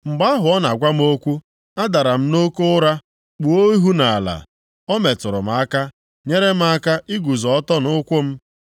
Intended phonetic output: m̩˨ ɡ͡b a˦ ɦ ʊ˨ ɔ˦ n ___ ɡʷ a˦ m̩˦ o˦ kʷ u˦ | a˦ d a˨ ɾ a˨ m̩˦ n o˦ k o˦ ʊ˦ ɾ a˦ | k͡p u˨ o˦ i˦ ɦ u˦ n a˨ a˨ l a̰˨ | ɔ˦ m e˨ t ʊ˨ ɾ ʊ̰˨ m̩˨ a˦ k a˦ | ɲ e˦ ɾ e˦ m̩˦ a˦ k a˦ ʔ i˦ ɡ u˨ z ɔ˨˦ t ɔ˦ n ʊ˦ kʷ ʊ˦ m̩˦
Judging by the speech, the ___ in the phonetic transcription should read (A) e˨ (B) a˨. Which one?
B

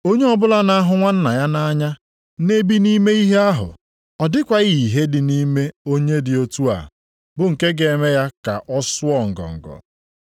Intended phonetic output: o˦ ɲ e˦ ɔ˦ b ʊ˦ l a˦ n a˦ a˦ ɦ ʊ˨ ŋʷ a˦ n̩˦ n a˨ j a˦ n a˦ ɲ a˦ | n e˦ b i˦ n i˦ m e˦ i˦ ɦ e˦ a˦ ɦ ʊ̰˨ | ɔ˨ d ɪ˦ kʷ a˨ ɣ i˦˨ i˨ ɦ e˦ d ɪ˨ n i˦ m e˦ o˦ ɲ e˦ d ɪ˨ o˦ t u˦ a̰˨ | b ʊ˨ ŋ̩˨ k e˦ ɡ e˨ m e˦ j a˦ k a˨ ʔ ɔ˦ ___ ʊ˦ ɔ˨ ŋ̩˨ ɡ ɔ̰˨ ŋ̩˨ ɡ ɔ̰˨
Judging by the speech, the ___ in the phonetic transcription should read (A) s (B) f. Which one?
A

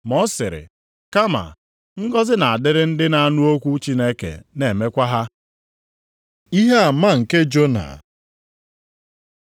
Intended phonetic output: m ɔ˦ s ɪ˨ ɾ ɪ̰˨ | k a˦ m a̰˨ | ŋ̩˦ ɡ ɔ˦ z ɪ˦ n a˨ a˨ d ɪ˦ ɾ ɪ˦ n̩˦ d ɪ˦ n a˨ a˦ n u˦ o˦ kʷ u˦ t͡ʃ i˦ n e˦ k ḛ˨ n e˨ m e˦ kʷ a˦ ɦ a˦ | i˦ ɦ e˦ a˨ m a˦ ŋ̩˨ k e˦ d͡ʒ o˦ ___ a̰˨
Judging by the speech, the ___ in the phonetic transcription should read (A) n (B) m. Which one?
A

